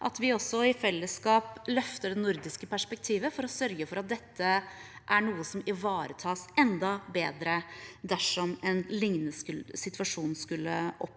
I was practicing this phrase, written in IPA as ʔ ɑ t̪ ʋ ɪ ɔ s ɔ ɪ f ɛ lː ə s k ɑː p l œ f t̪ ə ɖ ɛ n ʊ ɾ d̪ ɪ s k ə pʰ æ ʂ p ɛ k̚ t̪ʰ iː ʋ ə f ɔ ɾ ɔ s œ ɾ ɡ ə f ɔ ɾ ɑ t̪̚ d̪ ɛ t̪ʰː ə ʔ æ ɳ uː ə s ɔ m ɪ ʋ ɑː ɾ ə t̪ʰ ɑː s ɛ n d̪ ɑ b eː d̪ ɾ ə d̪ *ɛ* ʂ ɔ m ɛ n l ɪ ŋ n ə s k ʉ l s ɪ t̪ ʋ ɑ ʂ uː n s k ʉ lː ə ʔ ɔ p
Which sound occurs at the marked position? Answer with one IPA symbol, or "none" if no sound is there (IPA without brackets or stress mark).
æ